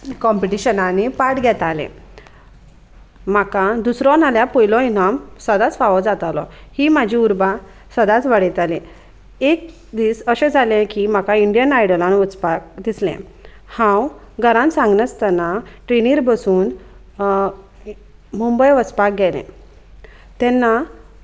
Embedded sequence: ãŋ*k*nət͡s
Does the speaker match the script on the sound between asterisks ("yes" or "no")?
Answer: no